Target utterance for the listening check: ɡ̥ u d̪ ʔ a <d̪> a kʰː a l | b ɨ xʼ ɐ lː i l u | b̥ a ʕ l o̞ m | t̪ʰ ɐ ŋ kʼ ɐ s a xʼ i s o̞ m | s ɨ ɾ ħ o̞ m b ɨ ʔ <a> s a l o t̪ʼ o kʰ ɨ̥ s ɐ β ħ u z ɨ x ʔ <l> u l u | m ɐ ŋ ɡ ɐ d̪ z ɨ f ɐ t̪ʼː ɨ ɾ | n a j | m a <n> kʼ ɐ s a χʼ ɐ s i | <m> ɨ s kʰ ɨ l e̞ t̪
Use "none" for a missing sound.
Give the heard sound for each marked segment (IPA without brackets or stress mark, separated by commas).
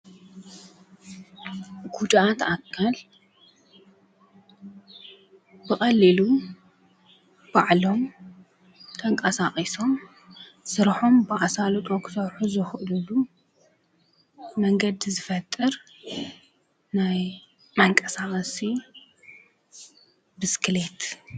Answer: t̪, a, l, ŋ, b